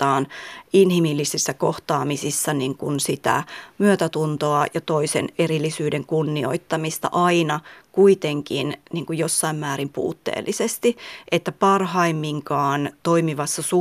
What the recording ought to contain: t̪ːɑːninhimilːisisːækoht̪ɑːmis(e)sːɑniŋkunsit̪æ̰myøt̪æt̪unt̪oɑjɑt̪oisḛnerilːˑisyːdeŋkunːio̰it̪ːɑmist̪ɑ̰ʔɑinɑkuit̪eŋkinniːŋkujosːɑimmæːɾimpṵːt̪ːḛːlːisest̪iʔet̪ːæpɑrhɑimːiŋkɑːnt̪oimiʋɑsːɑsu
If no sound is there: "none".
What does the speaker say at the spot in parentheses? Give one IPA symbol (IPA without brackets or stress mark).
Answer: i